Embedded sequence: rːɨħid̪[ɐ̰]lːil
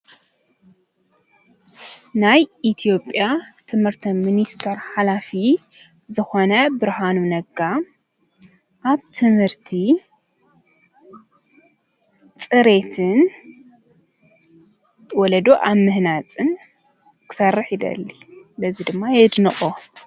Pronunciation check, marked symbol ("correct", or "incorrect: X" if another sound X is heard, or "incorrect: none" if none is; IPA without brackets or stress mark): correct